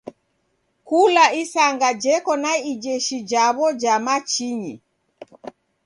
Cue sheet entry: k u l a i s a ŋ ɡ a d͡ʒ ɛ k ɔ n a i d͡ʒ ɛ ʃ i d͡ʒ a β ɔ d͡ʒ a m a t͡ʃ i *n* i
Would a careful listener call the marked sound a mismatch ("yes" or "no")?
yes